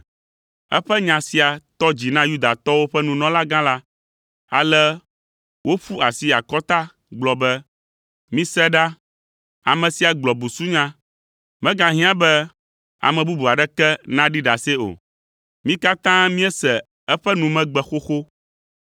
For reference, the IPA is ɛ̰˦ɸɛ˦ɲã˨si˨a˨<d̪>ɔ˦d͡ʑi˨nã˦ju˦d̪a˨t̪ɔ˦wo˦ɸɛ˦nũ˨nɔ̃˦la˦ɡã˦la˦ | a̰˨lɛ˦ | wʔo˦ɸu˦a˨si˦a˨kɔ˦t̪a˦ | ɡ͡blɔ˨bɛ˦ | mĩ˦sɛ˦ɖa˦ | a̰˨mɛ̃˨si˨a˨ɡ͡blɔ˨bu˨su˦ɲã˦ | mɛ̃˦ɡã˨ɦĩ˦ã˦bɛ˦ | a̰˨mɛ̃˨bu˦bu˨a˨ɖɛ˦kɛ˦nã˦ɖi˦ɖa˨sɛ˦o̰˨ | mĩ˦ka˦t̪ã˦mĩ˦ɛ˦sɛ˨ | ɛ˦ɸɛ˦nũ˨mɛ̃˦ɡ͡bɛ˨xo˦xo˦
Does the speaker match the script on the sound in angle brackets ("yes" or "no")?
no